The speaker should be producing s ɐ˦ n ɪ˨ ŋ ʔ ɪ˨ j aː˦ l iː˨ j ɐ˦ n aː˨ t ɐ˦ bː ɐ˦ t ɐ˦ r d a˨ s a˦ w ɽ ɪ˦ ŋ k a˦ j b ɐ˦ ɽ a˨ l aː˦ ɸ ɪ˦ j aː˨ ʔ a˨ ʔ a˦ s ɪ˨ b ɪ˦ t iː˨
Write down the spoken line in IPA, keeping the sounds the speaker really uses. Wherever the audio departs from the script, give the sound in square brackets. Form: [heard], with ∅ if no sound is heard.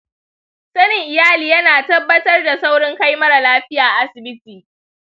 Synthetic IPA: s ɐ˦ n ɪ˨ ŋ ʔ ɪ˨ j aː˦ l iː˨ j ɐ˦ n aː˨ t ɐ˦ bː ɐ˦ t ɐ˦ r d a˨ s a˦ w ɽ ɪ˦ ŋ k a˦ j [m] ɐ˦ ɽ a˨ l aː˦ ɸ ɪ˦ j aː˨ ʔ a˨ ʔ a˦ s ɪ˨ b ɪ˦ t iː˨